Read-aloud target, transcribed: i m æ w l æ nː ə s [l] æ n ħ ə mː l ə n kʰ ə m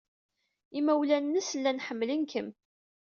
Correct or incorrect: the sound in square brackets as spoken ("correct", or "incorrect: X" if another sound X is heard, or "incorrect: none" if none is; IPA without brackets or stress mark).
incorrect: lː